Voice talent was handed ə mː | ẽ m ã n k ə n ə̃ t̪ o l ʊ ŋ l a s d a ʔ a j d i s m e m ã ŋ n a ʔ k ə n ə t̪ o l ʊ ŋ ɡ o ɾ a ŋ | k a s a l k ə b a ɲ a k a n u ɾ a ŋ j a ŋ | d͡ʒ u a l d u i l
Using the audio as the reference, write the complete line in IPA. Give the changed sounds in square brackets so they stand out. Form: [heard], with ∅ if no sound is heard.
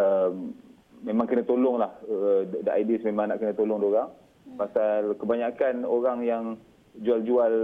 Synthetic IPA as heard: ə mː | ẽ m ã [ŋ] k ə n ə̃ t̪ o l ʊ ŋ l a [h] d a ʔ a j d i s m e m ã ŋ n a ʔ k ə n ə t̪ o l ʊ ŋ [d] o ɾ a ŋ | [p] a s a l k ə b a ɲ a k a n [o] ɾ a ŋ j a ŋ | d͡ʒ u a l [d͡ʒ] u [a] l